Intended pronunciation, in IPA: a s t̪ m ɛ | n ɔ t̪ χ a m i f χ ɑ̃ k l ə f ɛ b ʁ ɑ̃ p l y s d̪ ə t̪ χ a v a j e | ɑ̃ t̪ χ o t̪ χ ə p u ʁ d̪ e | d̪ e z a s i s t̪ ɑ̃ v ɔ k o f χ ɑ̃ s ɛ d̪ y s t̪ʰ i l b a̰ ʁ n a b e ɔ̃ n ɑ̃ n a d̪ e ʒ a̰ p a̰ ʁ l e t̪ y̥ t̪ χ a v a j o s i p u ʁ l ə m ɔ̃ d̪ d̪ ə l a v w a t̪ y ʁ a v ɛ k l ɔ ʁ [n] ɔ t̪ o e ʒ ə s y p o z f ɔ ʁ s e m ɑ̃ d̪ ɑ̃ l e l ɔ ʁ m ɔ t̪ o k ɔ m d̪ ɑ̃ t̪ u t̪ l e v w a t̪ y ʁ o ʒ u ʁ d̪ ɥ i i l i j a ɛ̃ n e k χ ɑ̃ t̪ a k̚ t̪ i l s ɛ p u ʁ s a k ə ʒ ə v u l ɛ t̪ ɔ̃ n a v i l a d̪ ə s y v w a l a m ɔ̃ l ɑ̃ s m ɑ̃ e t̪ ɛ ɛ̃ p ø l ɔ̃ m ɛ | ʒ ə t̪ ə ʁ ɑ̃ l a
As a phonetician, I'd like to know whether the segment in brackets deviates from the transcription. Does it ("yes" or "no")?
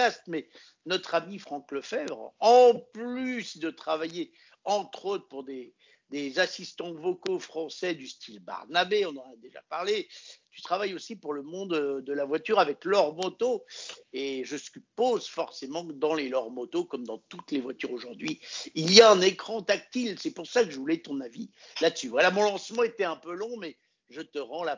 yes